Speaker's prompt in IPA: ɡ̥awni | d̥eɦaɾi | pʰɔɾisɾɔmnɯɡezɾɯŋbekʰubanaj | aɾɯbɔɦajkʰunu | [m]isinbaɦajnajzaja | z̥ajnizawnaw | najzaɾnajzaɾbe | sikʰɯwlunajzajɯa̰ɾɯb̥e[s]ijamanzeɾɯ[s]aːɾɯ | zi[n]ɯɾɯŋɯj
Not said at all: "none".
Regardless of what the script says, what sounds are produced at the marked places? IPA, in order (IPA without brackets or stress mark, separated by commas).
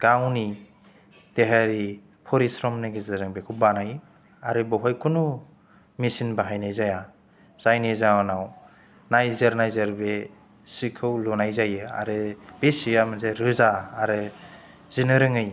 m, s, z, n